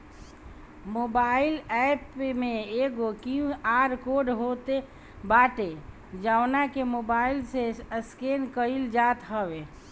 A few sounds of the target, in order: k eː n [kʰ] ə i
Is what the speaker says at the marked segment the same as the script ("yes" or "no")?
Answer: no